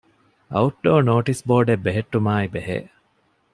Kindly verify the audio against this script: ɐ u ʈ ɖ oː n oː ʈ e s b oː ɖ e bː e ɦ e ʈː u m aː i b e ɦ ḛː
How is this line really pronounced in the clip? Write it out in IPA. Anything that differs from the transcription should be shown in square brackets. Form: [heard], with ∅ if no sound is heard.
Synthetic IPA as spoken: ɐ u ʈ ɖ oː n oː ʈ [i] s b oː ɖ e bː e ɦ e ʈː u m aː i b e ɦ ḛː